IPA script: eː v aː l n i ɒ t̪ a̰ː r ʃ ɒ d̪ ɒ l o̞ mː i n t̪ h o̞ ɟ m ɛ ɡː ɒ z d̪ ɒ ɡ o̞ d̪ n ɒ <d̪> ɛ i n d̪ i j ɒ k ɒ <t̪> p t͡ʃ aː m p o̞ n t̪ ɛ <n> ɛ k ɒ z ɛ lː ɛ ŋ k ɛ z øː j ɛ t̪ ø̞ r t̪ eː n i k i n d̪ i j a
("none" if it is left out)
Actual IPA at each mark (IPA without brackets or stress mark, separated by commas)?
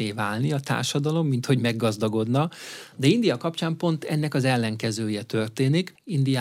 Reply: d̪, none, nː